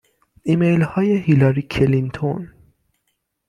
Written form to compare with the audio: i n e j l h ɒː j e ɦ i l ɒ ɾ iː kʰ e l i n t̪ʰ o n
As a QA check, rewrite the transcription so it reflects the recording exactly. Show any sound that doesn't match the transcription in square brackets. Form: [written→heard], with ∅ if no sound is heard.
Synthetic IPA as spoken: i [n→m] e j l h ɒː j e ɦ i l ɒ ɾ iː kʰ e l i n t̪ʰ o n